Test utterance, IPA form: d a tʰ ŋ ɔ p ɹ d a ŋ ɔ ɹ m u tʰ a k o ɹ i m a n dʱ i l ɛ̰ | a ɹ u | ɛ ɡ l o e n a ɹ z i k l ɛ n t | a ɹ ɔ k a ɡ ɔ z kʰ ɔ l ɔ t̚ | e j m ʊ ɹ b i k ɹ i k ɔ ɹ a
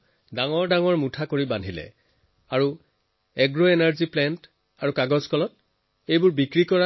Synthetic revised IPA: d a ŋ ɔ ɹ d a ŋ ɔ ɹ m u tʰ a k o ɹ i b a n dʱ i l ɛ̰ | a ɹ u | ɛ ɡ ɹ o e n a ɹ z i p l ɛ n t | a ɹ u k a ɡ ɔ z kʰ ɔ l ɔ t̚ | e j b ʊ ɹ b i k ɹ i k ɔ ɹ a